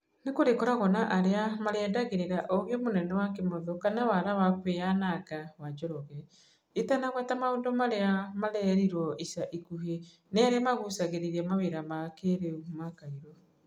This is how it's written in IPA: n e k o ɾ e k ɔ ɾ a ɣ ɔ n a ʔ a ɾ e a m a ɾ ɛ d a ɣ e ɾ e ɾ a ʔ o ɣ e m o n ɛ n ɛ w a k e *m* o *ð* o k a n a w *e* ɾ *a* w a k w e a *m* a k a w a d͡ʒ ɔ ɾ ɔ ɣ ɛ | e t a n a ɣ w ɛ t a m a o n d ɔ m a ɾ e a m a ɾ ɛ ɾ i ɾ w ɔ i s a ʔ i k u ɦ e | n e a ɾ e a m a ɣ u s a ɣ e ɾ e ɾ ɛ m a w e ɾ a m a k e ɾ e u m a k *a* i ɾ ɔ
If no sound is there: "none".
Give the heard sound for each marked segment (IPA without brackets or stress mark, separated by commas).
m, ð, a, a, n, a